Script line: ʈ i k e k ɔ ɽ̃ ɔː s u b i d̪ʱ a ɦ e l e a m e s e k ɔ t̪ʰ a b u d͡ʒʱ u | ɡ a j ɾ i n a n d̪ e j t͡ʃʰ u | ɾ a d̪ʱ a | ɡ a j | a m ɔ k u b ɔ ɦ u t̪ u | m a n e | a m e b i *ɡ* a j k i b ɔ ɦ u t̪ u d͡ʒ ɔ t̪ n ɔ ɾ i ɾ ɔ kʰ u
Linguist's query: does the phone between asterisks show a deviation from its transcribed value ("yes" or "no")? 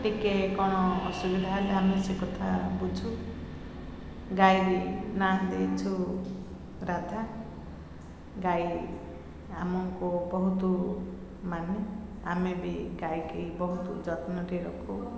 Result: no